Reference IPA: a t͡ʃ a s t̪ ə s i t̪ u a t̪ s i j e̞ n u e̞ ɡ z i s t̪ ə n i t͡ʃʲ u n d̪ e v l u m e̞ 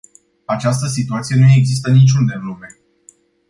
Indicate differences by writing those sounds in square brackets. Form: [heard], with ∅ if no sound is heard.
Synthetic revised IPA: a t͡ʃ a s t̪ ə s i t̪ u a t̪ s i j e̞ n u e̞ ɡ z i s t̪ ə n i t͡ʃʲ u n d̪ e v l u m e̞